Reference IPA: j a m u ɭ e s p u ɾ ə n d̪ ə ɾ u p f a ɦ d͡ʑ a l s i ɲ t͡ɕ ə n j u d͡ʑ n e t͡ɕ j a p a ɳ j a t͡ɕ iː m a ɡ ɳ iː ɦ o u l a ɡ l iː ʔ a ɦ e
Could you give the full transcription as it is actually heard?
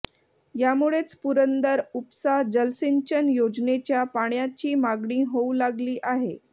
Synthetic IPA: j a m u ɭ e t͡s p u ɾ ə n d̪ ə ɾ u p s a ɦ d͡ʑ ə l s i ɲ t͡ɕ ə n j o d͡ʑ n e t͡ɕ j a p a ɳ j a t͡ɕ iː m a ɡ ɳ iː ɦ o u l a ɡ l iː ʔ a ɦ e